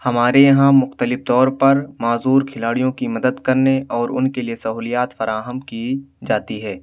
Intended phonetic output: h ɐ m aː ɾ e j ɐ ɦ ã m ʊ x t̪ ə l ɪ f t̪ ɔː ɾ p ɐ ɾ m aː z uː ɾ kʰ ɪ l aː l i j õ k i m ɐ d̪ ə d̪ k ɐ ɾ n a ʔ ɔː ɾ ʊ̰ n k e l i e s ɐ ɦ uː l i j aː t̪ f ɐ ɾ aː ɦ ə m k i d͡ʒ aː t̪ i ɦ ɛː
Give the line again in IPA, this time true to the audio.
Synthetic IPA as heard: h ɐ m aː ɾ e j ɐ ɦ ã m ʊ x t̪ ə l ɪ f t̪ ɔː ɾ p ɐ ɾ m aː z uː ɾ kʰ ɪ l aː ɽ i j õ k i m ɐ d̪ ə d̪ k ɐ ɾ n e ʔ ɔː ɾ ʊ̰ n k e l i e s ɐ ɦ uː l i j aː t̪ f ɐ ɾ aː ɦ ə m k i d͡ʒ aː t̪ i ɦ ɛː